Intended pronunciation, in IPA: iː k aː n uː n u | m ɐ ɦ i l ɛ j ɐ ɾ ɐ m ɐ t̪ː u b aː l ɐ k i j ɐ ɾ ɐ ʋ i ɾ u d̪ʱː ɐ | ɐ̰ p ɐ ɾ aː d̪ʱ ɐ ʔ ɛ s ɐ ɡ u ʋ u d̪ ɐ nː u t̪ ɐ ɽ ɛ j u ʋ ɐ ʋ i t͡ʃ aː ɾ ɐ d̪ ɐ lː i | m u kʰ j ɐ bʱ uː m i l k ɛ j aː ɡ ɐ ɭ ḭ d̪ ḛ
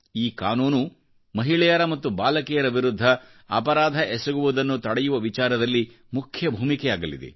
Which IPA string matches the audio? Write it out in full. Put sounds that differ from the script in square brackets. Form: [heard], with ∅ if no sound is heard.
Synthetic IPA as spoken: iː k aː n uː n u | m ɐ ɦ i [ɭ] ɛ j ɐ ɾ ɐ m ɐ t̪ː u b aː l ɐ k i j ɐ ɾ ɐ ʋ i ɾ u d̪ʱː ɐ | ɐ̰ p ɐ ɾ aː d̪ʱ ɐ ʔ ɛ s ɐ ɡ u ʋ u d̪ ɐ nː u t̪ ɐ ɽ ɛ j u ʋ ɐ ʋ i t͡ʃ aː ɾ ɐ d̪ ɐ lː i | m u kʰ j ɐ bʱ uː m i [∅] k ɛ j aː ɡ ɐ [l] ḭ d̪ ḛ